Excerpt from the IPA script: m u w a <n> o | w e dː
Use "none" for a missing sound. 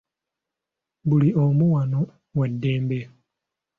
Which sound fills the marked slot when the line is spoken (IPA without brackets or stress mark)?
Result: n